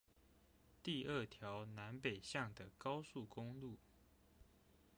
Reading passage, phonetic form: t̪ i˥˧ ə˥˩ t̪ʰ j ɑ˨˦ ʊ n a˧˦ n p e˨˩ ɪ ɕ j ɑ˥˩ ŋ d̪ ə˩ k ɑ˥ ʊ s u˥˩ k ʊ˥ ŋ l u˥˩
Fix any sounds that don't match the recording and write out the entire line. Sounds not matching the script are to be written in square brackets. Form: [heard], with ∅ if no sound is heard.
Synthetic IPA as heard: t̪ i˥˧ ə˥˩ t̪ʰ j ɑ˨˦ ʊ n a˧˦ n p e˨˩ ɪ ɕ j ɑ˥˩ ŋ d̪ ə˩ k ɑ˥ ʊ s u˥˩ k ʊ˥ ŋ l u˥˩